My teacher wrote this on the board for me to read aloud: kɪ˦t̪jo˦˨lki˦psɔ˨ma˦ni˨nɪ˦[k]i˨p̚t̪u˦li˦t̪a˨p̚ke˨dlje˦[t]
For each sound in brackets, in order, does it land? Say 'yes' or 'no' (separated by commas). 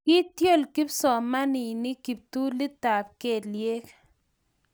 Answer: yes, no